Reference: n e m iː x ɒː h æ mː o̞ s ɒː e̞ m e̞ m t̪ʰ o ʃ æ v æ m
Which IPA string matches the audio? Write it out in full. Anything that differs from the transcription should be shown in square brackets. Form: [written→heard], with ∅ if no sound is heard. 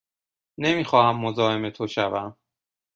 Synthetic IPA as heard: n e m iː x ɒː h æ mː o̞ [s→z] ɒː e̞ m e̞ [m→∅] t̪ʰ o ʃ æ v æ m